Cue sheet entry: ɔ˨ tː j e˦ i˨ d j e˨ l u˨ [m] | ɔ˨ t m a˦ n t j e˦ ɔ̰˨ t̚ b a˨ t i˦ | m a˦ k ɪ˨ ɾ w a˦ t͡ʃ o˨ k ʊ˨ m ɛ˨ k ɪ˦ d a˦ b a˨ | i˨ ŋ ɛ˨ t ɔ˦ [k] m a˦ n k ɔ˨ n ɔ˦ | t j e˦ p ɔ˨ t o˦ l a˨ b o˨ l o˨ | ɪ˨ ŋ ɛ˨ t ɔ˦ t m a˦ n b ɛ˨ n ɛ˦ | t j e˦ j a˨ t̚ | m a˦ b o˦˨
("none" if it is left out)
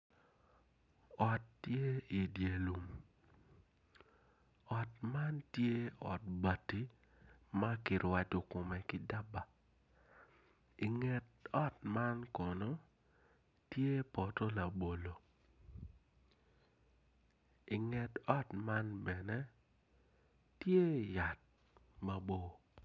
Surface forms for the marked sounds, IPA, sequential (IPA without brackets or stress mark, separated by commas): m, t